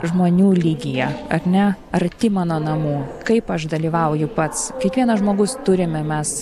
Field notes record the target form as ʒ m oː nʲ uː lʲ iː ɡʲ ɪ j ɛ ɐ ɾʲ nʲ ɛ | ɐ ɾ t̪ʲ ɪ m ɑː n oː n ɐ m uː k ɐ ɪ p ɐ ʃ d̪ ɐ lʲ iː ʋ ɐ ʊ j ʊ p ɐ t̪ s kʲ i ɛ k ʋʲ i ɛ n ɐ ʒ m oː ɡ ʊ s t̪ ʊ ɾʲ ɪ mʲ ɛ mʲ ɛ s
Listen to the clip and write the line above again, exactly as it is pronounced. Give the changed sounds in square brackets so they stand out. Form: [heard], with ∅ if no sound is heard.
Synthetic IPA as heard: ʒ m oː nʲ uː lʲ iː ɡʲ ɪ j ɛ ɐ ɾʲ nʲ ɛ | ɐ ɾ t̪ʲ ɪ m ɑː n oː n ɐ m uː k ɐ ɪ p ɐ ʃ d̪ ɐ lʲ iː ʋ ɐ ʊ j ʊ p ɐ t̪ s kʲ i ɛ k ʋʲ i ɛ n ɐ ʒ m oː ɡ ʊ s t̪ ʊ ɾʲ ɪ mʲ ɛ mʲ ɛ s